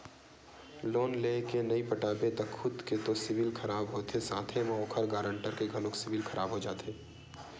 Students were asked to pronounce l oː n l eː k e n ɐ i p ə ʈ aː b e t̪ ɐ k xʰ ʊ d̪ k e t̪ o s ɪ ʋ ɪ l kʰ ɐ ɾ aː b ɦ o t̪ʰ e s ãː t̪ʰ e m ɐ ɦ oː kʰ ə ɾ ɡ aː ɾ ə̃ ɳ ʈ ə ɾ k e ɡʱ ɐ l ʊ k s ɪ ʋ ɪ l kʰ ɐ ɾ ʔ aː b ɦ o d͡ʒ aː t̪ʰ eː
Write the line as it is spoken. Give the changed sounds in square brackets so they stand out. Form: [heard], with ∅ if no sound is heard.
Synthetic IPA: l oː n l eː k e n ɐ i p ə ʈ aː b e t̪ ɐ k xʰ ʊ d̪ k e t̪ o s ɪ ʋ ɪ l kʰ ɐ ɾ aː b ɦ o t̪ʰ e s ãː t̪ʰ e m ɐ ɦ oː kʰ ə ɾ ɡ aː ɾ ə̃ ɳ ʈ ə ɾ k e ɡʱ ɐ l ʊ k s ɪ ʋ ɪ l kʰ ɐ ɾ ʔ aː b ɦ o d͡ʒ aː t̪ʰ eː